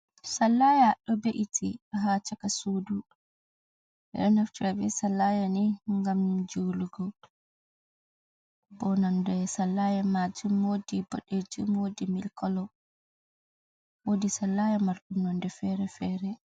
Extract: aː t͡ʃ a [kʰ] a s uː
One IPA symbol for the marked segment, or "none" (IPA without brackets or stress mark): k